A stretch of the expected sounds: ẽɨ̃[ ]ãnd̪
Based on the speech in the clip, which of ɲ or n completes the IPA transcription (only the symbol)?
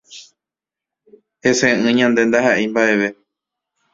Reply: ɲ